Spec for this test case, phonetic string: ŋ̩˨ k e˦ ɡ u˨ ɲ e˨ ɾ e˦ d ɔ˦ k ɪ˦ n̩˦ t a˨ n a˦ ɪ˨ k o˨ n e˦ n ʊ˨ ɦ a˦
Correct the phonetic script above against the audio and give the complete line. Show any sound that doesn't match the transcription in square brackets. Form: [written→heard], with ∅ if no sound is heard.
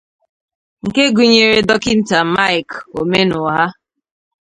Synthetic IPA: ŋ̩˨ k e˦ ɡ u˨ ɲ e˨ ɾ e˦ d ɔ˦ k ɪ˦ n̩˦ t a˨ [n→m] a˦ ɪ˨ k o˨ [n→m] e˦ n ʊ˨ ɦ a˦

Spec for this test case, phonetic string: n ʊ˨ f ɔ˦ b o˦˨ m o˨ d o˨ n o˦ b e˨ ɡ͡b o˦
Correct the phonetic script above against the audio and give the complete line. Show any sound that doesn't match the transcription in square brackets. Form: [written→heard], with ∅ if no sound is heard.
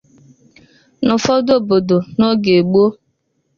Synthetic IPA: n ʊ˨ f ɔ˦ [b→d] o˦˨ [m→b] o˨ d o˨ n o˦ [b→ɡ] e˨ ɡ͡b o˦

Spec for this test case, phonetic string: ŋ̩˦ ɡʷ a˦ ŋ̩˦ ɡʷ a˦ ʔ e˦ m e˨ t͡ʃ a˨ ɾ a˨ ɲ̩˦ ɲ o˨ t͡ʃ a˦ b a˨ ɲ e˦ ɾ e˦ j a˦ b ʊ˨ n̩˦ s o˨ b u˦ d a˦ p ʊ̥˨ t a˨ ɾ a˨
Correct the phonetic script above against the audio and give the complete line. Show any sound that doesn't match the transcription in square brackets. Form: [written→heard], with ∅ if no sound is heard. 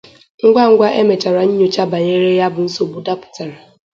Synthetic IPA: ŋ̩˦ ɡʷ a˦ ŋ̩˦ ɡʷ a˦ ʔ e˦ m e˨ t͡ʃ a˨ ɾ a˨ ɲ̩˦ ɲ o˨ t͡ʃ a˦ b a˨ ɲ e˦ ɾ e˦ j a˦ b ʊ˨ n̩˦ s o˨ b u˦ d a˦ p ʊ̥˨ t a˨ ɾ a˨

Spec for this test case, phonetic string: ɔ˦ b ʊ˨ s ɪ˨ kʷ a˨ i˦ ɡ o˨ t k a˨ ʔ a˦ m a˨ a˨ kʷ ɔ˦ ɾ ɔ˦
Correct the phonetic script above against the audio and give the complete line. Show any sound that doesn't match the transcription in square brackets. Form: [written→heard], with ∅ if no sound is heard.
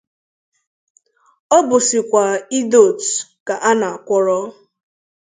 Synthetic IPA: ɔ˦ b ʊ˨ s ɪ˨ kʷ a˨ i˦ [ɡ→d] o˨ t k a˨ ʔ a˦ [m→n] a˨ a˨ kʷ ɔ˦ ɾ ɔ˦

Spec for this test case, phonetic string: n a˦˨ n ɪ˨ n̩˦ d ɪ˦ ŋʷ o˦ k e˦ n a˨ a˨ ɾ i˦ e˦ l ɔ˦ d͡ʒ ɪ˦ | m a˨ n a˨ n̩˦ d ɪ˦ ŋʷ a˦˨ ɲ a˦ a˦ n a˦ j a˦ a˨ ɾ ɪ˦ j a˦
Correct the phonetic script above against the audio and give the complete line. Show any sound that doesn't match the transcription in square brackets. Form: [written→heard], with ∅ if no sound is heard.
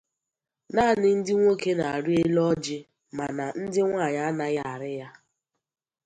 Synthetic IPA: n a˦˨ n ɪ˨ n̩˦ d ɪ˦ ŋʷ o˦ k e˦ n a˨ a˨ ɾ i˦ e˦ l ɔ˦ d͡ʒ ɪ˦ | m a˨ n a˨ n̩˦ d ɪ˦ ŋʷ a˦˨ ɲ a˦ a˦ n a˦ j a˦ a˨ ɾ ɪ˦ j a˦

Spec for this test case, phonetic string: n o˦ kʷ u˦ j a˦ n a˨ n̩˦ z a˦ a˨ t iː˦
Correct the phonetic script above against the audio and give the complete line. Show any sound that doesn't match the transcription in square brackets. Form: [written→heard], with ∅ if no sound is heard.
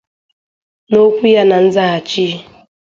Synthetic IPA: n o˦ kʷ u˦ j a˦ n a˨ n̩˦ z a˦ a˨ [t→t͡ʃ] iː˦

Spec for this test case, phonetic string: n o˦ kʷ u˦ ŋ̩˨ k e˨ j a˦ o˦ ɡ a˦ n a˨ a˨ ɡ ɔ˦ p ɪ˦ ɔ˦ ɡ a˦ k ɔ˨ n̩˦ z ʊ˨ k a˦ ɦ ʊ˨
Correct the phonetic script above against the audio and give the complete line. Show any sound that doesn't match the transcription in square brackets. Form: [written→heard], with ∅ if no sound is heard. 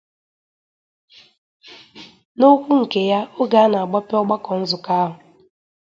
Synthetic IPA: n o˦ kʷ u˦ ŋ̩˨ k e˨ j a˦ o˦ ɡ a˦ n a˨ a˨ [ɡ→ɡ͡b] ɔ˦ p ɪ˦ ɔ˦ [ɡ→ɡ͡b] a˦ k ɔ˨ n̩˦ z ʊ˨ k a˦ ɦ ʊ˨

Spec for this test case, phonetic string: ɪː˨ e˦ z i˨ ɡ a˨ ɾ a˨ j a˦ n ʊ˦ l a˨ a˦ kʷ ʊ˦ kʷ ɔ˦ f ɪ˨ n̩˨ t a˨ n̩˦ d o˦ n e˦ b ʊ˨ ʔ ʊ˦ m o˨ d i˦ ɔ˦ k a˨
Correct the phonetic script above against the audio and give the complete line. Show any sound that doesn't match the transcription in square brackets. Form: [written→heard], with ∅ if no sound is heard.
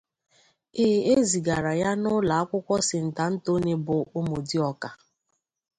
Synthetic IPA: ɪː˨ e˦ z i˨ ɡ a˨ ɾ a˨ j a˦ n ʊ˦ l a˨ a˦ kʷ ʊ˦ kʷ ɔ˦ [f→s] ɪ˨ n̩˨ t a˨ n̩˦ [d→t] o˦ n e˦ b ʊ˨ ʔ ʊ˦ m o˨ d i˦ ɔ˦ k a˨

